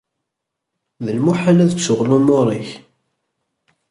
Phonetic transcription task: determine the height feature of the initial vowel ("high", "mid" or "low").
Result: mid